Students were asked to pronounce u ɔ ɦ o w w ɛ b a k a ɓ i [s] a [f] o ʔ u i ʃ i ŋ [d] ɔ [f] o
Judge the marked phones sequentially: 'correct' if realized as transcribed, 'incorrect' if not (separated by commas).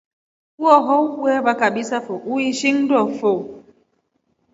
correct, correct, correct, correct